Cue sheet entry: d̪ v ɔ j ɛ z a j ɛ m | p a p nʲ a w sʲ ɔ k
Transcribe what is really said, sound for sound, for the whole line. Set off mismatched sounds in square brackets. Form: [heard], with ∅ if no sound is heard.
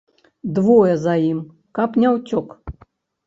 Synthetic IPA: d̪ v ɔ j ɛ z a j [i] m | [k] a p nʲ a w [t͡sʲ] ɔ k